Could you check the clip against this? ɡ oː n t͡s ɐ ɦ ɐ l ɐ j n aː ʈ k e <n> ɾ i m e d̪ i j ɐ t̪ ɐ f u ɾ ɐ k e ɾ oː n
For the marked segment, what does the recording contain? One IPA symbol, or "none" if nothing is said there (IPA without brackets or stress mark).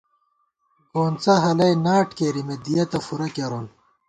none